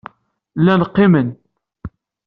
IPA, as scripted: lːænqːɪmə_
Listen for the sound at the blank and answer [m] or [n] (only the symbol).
n